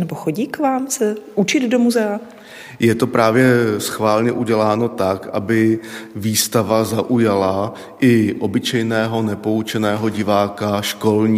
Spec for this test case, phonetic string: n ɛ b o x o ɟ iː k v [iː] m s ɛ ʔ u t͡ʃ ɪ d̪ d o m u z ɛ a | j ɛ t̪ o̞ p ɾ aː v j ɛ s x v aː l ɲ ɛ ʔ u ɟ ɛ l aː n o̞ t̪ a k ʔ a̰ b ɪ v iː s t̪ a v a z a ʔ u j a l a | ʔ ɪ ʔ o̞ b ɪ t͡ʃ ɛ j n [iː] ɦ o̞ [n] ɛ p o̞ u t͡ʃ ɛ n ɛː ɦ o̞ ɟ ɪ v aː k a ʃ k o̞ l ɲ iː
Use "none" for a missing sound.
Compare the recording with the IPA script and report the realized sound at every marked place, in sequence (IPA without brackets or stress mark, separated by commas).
aː, ɛː, n